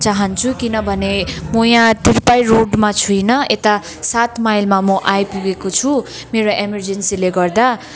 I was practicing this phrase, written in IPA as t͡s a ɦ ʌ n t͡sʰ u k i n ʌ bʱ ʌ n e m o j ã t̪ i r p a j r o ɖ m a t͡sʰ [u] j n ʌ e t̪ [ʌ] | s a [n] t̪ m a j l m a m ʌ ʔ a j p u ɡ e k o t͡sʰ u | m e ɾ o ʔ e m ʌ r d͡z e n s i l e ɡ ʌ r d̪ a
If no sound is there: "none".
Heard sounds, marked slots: u, a, none

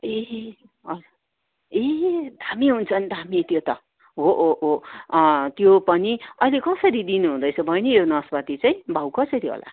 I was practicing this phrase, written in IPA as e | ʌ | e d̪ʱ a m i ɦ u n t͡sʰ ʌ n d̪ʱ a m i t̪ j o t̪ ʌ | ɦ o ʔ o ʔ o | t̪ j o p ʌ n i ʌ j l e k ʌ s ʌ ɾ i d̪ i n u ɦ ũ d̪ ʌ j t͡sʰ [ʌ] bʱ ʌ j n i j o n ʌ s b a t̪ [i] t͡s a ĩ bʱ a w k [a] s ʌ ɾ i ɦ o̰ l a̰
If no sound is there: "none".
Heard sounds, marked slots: ʌ, i, ʌ

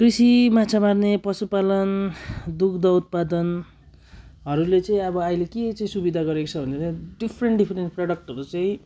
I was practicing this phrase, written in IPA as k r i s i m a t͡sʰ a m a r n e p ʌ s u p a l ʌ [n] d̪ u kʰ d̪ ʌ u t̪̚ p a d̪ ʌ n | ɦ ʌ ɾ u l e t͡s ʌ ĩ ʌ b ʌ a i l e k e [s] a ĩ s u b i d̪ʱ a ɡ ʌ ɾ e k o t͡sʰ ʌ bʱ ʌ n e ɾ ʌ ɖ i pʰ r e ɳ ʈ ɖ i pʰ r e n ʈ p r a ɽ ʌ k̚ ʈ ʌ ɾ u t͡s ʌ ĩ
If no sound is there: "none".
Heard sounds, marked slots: n, t͡s

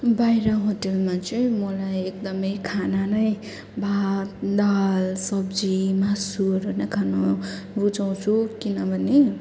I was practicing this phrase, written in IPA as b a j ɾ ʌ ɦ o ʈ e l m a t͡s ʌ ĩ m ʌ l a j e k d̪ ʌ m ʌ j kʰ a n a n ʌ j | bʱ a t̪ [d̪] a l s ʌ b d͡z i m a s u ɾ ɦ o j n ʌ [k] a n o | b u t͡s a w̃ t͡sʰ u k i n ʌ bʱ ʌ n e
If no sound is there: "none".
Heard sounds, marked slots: d̪, kʰ

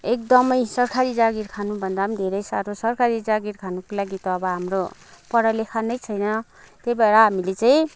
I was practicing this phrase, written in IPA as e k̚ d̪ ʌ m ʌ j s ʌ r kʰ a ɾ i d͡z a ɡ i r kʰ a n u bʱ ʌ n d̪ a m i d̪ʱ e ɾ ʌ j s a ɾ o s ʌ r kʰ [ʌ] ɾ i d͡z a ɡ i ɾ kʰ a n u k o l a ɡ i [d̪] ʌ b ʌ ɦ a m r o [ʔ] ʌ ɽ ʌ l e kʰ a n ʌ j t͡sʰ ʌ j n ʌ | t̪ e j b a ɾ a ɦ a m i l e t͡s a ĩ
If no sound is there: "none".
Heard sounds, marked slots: a, t̪, p

